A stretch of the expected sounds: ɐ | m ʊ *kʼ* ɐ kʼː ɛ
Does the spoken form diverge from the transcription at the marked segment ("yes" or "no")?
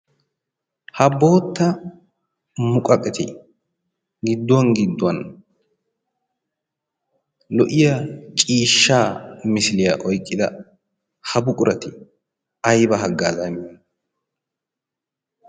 no